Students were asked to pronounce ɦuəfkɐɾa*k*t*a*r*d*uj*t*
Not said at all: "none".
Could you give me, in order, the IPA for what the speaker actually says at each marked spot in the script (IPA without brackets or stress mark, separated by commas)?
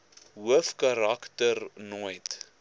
k, ə, n, t